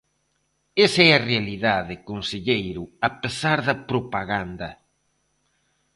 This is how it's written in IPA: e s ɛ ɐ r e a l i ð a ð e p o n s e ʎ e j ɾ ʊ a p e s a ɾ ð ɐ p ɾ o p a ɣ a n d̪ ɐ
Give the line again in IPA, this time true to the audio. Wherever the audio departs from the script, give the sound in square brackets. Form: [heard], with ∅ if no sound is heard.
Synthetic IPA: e s ɛ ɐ r e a l i ð a ð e [k] o n s e ʎ e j ɾ ʊ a p e s a ɾ ð ɐ p ɾ o p a ɣ a n d̪ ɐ